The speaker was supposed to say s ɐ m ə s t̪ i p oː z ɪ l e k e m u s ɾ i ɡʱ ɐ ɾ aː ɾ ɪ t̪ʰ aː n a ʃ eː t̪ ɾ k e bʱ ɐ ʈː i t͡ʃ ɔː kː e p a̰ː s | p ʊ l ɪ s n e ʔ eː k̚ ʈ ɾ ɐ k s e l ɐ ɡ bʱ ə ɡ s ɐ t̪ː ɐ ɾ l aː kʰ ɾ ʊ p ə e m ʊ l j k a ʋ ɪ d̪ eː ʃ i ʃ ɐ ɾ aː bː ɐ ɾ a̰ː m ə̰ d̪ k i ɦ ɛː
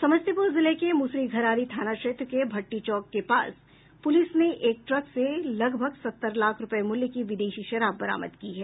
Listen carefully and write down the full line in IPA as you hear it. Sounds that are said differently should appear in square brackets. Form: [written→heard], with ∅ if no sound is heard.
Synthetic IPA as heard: s ɐ m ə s t̪ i p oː z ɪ l e k e m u s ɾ i ɡʱ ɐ ɾ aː ɾ [ɪ→i] t̪ʰ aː n a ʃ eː t̪ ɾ k e bʱ ɐ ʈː i t͡ʃ ɔː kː e p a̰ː s | p ʊ l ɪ s n e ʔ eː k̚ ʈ ɾ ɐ k s e l ɐ ɡ bʱ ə ɡ s ɐ t̪ː [ɐ→ə] ɾ l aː kʰ ɾ ʊ p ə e m ʊ l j k [a→i] ʋ ɪ d̪ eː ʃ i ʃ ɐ ɾ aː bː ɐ ɾ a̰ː m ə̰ d̪ k i ɦ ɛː